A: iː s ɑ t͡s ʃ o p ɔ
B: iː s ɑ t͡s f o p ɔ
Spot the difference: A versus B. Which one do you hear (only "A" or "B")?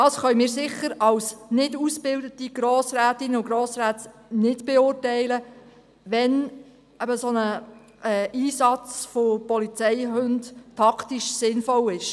B